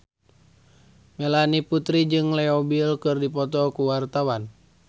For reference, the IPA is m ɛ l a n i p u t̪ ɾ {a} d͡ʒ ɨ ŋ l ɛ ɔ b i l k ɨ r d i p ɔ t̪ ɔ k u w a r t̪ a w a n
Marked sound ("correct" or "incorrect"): incorrect